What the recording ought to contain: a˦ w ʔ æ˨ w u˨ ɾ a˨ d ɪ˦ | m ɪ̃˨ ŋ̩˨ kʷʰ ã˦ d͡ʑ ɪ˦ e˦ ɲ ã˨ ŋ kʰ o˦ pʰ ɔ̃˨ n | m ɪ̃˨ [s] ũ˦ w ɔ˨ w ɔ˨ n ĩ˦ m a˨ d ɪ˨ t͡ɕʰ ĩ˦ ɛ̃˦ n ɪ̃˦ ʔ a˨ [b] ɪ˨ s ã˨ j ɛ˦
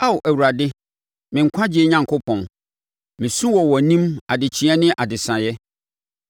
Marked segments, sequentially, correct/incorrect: correct, incorrect: d

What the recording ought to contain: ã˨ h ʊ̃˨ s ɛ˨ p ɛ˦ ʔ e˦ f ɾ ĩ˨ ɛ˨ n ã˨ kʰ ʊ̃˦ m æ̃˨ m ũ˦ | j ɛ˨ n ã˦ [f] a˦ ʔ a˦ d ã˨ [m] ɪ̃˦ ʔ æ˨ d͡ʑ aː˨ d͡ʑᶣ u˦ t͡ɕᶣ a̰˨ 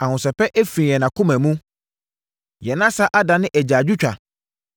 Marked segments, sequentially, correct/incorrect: incorrect: s, incorrect: n

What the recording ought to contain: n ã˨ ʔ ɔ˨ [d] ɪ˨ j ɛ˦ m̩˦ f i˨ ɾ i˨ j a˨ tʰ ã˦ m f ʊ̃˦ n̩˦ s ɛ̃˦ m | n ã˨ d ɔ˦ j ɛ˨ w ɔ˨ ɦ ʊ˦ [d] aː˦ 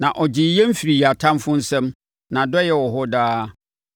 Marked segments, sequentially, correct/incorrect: incorrect: d͡ʑ, correct

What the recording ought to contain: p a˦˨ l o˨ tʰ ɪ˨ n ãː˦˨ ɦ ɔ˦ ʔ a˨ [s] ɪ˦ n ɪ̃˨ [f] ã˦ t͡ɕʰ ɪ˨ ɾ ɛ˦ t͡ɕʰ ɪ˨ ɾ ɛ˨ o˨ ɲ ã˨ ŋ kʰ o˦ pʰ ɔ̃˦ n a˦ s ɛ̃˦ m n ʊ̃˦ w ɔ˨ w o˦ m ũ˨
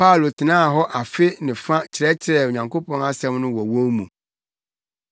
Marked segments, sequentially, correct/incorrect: incorrect: f, correct

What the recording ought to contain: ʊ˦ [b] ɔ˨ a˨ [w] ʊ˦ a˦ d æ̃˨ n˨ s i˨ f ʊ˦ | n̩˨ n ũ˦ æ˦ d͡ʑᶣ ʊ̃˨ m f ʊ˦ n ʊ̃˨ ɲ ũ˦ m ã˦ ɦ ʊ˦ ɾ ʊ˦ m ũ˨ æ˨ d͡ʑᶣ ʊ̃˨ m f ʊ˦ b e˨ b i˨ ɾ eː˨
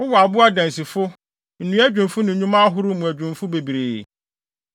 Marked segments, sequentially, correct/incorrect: incorrect: w, incorrect: b

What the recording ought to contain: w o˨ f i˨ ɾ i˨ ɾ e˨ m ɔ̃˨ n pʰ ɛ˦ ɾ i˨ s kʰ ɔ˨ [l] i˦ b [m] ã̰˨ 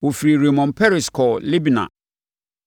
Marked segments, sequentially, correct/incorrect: correct, incorrect: n

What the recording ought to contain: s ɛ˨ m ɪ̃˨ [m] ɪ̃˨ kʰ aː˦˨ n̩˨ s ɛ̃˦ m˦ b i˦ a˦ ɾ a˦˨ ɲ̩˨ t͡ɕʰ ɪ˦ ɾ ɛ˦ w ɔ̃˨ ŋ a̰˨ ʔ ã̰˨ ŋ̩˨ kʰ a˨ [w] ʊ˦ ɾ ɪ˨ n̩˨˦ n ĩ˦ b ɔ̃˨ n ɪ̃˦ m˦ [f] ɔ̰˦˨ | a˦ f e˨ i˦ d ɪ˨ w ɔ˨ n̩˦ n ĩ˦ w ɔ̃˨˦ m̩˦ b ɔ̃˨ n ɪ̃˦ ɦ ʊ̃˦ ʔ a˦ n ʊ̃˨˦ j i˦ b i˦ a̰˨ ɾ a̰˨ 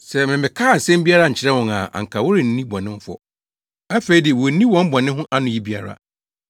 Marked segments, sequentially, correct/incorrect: correct, correct, correct

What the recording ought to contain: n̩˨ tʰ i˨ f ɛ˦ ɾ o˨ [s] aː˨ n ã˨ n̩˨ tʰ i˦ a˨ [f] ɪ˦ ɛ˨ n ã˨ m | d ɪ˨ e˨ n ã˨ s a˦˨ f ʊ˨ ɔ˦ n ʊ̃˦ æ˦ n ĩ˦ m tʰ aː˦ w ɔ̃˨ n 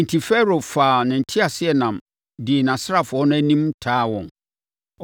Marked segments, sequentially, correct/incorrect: incorrect: f, incorrect: s

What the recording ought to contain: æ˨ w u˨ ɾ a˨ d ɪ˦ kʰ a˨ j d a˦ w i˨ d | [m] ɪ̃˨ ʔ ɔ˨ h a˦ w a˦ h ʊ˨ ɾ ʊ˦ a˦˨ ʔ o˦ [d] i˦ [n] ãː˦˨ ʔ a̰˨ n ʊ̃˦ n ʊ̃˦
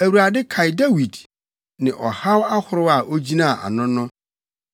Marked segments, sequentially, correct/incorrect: incorrect: n, incorrect: d͡ʑ, correct

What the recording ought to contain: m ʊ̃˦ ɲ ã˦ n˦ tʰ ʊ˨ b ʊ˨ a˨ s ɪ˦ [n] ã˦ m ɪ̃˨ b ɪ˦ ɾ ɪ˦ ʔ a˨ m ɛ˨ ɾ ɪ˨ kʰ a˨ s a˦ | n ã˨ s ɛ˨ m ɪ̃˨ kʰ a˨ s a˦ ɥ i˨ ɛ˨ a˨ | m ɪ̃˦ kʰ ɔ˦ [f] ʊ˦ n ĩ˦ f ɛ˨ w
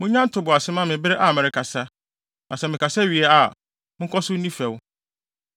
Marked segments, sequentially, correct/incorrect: incorrect: m, incorrect: s

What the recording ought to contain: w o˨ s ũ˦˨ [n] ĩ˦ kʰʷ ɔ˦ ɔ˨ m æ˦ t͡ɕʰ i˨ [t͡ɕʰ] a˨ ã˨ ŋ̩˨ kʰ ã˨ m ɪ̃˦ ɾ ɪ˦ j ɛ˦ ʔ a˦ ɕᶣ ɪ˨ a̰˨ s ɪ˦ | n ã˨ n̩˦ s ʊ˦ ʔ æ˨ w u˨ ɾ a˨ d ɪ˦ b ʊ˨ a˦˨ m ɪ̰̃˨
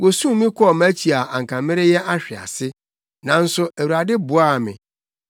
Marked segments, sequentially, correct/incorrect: incorrect: m, incorrect: none

